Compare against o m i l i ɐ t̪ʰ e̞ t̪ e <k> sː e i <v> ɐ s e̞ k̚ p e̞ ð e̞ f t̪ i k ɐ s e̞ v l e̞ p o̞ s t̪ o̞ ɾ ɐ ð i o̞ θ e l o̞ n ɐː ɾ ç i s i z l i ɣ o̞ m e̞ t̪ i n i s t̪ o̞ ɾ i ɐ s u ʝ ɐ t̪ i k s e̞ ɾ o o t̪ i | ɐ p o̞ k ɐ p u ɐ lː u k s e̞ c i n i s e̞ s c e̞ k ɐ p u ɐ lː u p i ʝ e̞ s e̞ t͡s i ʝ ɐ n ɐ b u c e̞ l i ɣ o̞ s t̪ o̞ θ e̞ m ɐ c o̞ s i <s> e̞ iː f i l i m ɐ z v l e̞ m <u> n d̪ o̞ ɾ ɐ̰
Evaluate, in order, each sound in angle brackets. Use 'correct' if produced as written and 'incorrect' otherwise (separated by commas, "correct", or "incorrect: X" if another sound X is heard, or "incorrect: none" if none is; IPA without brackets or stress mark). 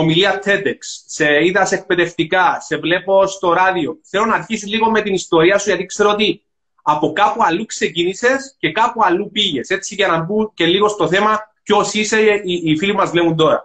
correct, incorrect: ð, correct, correct